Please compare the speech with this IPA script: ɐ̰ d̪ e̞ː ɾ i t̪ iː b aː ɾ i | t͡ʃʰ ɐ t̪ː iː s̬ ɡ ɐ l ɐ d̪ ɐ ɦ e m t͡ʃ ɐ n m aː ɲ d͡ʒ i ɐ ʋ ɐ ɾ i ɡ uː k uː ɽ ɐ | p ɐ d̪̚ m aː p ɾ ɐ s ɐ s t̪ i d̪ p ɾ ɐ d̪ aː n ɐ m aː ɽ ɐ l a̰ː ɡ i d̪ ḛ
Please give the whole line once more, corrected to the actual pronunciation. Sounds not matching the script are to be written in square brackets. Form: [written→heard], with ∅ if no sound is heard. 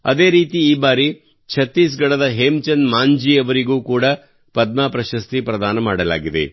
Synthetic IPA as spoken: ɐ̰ d̪ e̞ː ɾ [i→iː] t̪ iː b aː ɾ i | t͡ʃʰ ɐ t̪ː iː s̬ ɡ ɐ [l→ɽ] ɐ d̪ ɐ ɦ e m t͡ʃ ɐ n m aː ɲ d͡ʒ i ɐ ʋ ɐ ɾ i ɡ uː k uː ɽ ɐ | p ɐ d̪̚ m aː p ɾ ɐ [s→ʃ] ɐ s t̪ i [d̪→∅] p ɾ ɐ d̪ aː n ɐ m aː ɽ ɐ l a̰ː ɡ i d̪ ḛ